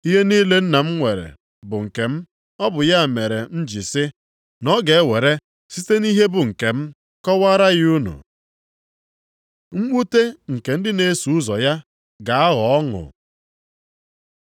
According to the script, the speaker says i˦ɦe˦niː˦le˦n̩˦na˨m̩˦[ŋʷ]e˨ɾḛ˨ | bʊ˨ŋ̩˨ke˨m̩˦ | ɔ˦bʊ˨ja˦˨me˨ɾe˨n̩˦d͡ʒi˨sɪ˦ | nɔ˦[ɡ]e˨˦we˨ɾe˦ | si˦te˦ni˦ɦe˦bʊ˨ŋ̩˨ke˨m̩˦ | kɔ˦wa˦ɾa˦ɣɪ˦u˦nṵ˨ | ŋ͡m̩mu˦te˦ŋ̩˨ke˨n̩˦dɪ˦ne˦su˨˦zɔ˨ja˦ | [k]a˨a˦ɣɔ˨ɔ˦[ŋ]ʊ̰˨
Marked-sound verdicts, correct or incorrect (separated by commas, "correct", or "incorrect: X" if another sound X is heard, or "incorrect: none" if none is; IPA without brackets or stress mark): correct, correct, incorrect: ɡ, correct